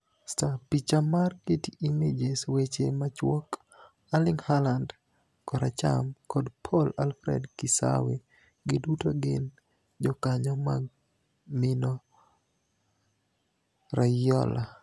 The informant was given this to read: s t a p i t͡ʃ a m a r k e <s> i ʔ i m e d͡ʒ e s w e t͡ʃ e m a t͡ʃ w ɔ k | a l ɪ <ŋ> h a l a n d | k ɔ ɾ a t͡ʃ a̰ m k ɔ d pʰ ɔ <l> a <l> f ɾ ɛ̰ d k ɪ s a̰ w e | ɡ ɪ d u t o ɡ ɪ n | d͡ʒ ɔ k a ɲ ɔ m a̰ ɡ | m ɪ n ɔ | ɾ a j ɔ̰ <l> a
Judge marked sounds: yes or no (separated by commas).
no, yes, yes, yes, yes